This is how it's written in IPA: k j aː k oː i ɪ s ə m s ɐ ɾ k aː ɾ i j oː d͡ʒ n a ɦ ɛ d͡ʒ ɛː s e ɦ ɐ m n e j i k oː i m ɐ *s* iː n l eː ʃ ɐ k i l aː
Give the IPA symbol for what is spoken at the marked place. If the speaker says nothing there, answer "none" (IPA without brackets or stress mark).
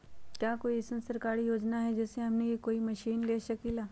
ʃ